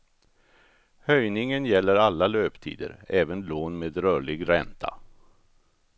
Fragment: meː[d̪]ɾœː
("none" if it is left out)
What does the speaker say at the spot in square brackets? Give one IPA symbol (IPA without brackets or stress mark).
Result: d̪